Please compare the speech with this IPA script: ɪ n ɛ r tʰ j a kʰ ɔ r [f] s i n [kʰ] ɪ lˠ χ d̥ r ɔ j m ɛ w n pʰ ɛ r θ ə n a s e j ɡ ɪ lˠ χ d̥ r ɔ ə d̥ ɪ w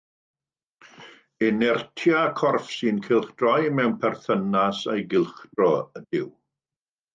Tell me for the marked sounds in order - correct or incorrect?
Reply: correct, correct

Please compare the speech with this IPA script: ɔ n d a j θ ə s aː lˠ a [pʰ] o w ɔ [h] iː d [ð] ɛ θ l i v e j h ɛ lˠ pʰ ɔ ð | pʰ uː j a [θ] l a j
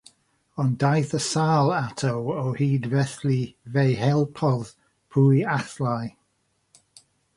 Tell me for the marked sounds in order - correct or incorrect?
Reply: incorrect, correct, incorrect, correct

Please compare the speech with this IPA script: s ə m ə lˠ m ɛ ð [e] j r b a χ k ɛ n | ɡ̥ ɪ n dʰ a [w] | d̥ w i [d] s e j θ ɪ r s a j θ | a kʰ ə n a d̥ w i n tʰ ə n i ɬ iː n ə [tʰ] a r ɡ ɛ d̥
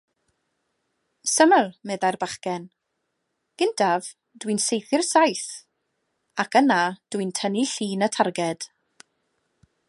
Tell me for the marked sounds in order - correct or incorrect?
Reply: incorrect, incorrect, incorrect, correct

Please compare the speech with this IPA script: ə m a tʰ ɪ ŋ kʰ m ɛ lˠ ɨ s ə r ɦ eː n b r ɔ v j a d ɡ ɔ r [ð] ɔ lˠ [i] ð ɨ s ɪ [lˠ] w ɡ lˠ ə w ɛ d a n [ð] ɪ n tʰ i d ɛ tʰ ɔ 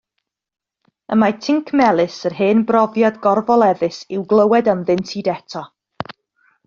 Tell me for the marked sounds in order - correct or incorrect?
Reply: incorrect, incorrect, incorrect, correct

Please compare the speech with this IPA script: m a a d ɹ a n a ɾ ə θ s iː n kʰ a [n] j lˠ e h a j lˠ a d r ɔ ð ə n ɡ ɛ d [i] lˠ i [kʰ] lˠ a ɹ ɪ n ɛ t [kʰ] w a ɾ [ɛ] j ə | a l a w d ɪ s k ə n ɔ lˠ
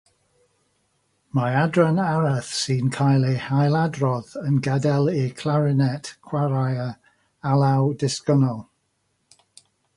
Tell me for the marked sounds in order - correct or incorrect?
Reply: incorrect, incorrect, correct, correct, incorrect

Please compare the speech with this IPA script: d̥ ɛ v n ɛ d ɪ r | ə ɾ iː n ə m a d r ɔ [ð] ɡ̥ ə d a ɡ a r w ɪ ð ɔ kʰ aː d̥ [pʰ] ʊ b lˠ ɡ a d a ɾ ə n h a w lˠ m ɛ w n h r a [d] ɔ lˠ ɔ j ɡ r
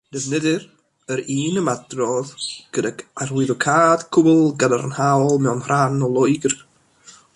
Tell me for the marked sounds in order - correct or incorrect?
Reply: correct, incorrect, incorrect

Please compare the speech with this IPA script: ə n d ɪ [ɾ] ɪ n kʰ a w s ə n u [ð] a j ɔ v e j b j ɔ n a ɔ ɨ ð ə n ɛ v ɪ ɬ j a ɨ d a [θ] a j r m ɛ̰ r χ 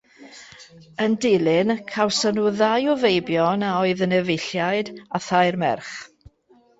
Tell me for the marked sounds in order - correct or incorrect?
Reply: incorrect, correct, correct

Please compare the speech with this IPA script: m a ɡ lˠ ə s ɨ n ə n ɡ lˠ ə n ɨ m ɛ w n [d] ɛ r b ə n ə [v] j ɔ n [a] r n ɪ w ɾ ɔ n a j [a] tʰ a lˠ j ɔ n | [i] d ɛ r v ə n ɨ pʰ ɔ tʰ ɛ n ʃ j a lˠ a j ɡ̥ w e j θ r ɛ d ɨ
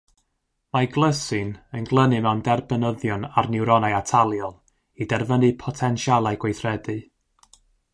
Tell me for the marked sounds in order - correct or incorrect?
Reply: correct, incorrect, correct, correct, correct

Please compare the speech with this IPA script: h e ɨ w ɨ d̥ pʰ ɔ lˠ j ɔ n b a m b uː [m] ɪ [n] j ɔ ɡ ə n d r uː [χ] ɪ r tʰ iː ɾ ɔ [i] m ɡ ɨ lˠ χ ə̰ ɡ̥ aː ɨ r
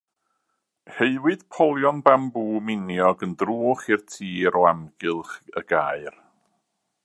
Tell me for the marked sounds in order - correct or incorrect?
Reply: correct, correct, correct, incorrect

